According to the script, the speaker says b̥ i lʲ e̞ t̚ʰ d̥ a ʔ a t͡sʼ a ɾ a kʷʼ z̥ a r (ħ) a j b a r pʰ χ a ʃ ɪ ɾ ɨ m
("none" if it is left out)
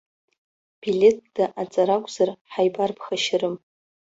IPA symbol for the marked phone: ħ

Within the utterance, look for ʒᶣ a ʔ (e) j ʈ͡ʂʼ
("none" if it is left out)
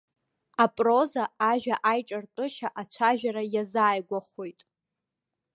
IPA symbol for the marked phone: a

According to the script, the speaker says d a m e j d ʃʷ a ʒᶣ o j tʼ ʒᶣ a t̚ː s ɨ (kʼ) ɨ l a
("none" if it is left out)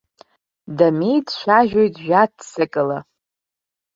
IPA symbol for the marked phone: kʼ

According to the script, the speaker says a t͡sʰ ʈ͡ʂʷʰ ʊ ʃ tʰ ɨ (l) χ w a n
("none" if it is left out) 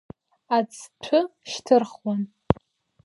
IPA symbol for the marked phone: r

